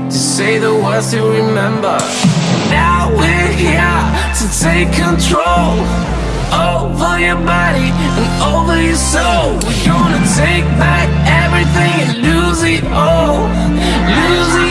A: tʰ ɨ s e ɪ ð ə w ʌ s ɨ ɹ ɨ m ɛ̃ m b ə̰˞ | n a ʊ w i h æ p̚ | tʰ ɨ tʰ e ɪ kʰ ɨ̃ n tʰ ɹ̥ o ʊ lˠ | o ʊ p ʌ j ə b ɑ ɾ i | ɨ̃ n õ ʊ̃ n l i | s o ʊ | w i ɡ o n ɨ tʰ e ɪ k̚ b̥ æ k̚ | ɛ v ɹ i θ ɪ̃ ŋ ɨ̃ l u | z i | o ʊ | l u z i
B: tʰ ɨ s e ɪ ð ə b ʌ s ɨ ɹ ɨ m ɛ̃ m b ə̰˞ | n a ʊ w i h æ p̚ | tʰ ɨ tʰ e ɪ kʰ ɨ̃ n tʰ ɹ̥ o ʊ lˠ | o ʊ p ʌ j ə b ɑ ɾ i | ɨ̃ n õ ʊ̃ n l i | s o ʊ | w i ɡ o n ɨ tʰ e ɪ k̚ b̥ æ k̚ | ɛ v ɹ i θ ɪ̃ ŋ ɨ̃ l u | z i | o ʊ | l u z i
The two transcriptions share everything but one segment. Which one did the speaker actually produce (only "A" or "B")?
A